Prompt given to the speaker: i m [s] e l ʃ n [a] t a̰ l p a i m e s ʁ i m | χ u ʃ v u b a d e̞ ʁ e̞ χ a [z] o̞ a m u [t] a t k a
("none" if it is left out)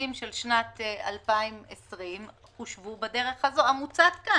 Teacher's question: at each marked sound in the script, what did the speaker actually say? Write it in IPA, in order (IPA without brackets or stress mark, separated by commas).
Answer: ʃ, a, z, t͡s